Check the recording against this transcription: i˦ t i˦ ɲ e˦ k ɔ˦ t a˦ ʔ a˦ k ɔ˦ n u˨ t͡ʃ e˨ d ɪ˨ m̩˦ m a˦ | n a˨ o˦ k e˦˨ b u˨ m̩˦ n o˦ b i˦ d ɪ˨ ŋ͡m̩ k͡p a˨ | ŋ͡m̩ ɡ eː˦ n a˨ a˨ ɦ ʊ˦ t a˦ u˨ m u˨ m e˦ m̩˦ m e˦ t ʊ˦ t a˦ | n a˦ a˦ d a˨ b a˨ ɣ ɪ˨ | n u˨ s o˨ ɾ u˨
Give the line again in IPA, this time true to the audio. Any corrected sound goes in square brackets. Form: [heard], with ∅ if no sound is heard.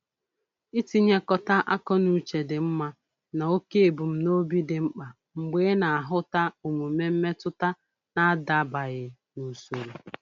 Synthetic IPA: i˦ t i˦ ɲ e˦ k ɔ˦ t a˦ ʔ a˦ k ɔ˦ n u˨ t͡ʃ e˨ d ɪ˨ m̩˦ m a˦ | n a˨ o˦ k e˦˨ b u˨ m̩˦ n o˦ b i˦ d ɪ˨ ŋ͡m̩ k͡p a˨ | ŋ͡m̩ [ɡ͡b] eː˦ n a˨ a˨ ɦ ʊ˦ t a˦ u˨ m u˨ m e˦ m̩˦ m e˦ t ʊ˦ t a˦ | n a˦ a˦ d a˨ b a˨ ɣ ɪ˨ | n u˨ s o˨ ɾ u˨

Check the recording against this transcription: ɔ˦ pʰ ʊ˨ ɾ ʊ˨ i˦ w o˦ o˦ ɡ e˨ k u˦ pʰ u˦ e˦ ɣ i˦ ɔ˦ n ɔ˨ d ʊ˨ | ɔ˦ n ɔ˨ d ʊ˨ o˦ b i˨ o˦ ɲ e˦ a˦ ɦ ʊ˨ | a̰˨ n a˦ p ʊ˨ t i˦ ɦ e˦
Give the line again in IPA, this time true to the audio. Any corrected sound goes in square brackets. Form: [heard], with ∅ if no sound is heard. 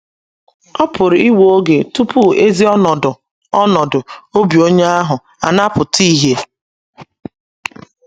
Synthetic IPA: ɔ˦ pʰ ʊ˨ ɾ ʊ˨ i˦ w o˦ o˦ ɡ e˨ [t] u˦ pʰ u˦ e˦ [z] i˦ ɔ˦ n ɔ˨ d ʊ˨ | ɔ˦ n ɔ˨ d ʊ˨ o˦ b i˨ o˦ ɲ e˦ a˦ ɦ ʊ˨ | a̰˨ n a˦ p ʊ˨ t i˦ ɦ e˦

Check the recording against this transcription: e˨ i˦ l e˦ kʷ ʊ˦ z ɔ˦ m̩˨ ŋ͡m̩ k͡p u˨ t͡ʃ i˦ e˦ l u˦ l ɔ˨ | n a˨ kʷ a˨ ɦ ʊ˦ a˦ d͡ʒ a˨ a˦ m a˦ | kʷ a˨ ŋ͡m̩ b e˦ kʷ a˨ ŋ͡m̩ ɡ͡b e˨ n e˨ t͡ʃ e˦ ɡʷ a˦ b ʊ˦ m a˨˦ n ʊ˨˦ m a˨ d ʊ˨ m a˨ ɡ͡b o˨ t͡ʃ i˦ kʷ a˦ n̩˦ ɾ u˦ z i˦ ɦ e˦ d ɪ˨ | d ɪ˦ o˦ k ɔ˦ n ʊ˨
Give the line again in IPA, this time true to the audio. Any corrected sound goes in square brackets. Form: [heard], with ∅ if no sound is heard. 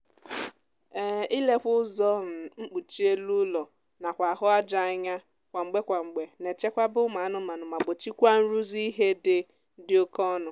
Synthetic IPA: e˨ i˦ l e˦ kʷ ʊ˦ z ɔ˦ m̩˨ ŋ͡m̩ k͡p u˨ t͡ʃ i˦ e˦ l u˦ l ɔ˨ | n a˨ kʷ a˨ ɦ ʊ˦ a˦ d͡ʒ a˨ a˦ [ɲ] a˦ | kʷ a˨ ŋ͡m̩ [ɡ͡b] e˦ kʷ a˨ ŋ͡m̩ ɡ͡b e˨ n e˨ t͡ʃ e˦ [kʷ] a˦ b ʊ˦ m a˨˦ n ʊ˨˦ m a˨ [n] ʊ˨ m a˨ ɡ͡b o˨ t͡ʃ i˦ kʷ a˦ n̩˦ ɾ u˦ z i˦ ɦ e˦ d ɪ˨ | d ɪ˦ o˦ k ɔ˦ n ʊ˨

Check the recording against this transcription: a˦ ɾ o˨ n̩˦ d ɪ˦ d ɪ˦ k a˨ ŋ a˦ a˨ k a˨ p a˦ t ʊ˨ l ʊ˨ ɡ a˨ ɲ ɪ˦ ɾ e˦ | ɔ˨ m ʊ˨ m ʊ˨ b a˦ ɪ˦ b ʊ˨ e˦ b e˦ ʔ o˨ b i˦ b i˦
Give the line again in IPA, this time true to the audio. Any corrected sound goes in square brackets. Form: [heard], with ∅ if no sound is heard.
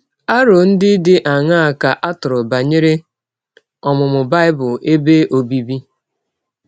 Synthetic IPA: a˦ ɾ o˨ n̩˦ d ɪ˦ d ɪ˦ [ʔ] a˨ ŋ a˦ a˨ k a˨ [ʔ] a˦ t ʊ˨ [ɾ] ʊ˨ [b] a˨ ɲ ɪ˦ ɾ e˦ | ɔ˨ m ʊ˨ m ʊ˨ b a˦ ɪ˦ b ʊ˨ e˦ b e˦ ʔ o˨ b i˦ b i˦

